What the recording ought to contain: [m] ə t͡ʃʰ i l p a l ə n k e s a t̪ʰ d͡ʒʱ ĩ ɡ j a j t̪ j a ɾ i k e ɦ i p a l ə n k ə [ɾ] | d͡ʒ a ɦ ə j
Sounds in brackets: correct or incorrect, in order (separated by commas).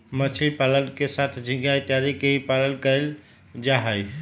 correct, incorrect